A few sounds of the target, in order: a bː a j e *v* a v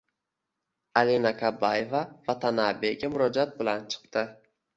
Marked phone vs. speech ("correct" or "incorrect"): correct